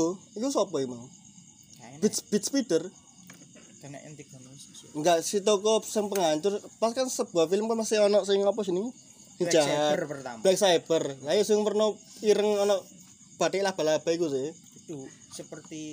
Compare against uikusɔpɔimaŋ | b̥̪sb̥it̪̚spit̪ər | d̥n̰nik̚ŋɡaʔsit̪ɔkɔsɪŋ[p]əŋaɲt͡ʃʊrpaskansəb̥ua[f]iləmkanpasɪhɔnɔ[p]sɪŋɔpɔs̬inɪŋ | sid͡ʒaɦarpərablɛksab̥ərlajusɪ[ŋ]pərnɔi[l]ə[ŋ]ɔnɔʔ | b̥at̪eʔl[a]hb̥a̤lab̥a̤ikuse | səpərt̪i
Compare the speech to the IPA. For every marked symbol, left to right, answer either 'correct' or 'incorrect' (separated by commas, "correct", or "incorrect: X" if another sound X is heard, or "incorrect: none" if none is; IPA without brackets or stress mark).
correct, correct, incorrect: ʔ, correct, incorrect: ɾ, correct, correct